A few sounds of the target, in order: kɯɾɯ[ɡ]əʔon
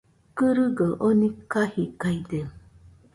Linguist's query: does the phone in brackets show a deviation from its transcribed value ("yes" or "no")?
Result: no